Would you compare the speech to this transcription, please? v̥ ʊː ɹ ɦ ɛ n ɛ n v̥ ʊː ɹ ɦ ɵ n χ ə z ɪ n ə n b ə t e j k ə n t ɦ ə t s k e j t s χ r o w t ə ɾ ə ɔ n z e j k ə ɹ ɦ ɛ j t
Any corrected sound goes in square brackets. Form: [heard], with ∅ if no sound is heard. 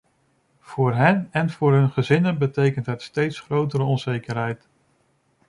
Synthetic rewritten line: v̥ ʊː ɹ ɦ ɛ n ɛ n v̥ ʊː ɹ ɦ ɵ n χ ə z ɪ n ə n b ə t e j k ə n t ɦ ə t s [t] e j t s χ r o w t ə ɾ ə ɔ n z e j k ə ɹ ɦ ɛ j t